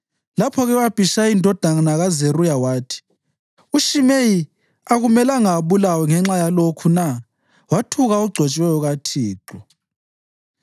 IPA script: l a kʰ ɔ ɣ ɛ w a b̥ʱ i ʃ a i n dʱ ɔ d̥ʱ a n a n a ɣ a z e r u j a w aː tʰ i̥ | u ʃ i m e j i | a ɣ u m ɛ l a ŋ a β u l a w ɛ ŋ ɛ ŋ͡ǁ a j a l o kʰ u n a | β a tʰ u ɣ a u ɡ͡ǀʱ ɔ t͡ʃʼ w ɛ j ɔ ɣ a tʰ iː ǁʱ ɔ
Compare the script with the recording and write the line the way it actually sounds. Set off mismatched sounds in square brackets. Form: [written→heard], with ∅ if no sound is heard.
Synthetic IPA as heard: l a [kʰ→pʰ] ɔ ɣ ɛ w a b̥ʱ i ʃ a i n dʱ ɔ d̥ʱ a n a n a ɣ a z e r u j a w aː tʰ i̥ | u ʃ i m e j i | a ɣ u m ɛ l a ŋ a β u l a w ɛ ŋ ɛ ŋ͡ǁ a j a l o kʰ u n a | [β→w] a tʰ u ɣ a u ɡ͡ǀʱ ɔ t͡ʃʼ w ɛ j ɔ ɣ a tʰ iː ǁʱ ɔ